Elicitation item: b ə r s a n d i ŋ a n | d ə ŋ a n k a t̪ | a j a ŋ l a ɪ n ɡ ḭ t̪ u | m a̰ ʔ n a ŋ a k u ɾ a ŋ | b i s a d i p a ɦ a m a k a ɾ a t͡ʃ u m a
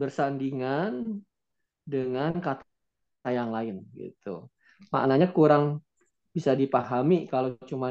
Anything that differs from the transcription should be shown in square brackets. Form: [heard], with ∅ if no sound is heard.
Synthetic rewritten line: b ə r s a n d i ŋ a n | d ə ŋ a n k a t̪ | a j a ŋ l a ɪ n ɡ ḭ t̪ u | m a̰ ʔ n a [ɲ] a k u ɾ a ŋ | b i s a d i p a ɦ a m [i] k a [l] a t͡ʃ u m a